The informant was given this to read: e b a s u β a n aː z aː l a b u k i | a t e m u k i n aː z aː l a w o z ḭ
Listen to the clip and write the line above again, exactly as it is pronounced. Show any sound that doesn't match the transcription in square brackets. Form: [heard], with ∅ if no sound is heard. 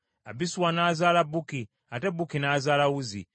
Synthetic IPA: [a] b [i] s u [w] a n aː z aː l a b u k i | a t e [b] u k i n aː z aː l a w [u] z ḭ